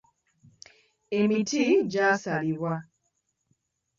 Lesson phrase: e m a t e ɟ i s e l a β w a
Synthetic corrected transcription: e m i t i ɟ a s a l i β w a

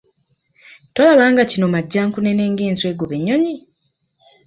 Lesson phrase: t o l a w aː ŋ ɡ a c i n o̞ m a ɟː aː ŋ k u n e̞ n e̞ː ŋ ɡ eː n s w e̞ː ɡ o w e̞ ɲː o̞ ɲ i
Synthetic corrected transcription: t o l a β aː ŋ ɡ a c i n o̞ m a ɟː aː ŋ k u n e̞ n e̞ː ŋ ɡ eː n s w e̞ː ɡ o β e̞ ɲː o̞ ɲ i

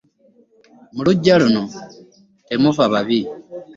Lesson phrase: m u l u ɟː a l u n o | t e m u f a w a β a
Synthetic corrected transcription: m u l u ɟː a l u n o | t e m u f a β a β i

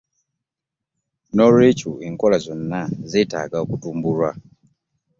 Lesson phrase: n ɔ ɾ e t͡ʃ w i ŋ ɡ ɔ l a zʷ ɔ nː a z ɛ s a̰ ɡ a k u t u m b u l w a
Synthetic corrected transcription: n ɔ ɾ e t͡ʃ u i ŋ k ɔ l a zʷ ɔ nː a z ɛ t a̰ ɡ a k u t u m b u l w a

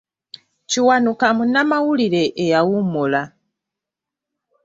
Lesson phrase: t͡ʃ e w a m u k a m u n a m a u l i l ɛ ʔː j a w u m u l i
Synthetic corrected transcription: t͡ʃ i w a n u k a m u n a m a u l i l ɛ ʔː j a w u m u l a

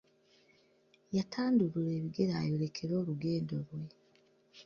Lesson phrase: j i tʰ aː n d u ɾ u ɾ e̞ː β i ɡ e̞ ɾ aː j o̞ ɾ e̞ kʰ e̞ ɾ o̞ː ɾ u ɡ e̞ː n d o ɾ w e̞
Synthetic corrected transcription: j a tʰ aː n d u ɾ u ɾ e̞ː β i ɡ e̞ ɾ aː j o̞ ɾ e̞ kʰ e̞ ɾ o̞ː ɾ u ɡ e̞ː n d o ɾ w e̞

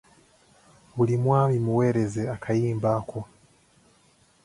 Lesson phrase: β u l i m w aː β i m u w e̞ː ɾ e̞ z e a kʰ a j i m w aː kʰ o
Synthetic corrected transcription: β u l i m w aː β i m u w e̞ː ɾ e̞ z e a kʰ a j iː m b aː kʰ o

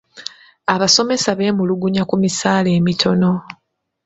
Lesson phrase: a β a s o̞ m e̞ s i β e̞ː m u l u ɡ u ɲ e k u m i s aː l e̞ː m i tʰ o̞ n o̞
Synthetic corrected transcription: a β a s o̞ m e̞ s a β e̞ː m u l u ɡ u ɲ a k u m i s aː l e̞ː m i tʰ o̞ n o̞

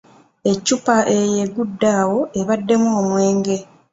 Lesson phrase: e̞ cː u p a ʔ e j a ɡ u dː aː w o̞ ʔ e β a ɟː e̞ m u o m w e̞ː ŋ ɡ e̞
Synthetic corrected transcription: e̞ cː u p a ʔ e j e ɡ u dː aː w o̞ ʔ e β a dː e̞ m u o m w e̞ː ŋ ɡ e̞

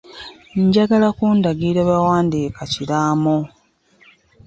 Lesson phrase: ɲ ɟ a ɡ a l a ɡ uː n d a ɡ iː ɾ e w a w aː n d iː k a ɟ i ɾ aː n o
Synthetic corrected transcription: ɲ ɟ a ɡ a l a k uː n d a ɡ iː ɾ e β a w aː n d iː k a c i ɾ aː m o

